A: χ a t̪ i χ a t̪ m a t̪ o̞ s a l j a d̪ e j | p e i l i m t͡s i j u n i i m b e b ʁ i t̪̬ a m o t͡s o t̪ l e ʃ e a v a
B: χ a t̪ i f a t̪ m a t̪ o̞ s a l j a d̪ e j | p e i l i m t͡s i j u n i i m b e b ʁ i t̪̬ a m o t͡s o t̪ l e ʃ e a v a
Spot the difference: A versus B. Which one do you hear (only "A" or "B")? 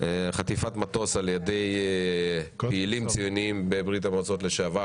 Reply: B